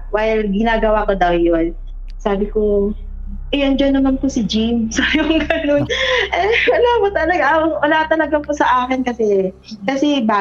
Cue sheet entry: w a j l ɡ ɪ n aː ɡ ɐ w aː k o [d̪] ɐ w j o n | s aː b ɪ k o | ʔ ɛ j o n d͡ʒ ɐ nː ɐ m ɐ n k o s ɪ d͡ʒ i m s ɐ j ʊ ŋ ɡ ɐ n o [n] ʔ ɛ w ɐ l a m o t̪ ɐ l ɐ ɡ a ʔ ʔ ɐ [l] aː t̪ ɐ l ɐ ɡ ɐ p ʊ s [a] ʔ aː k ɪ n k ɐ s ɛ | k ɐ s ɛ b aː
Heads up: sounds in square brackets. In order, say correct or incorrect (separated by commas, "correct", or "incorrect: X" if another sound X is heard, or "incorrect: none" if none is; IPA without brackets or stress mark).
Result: correct, correct, correct, incorrect: ɐ